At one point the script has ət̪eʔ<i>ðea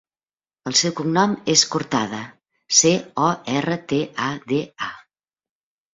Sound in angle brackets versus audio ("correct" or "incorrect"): incorrect